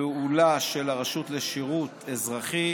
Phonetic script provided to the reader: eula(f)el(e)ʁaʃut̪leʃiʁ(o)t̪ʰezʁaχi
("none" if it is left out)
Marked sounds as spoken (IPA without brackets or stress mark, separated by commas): ʃ, a, u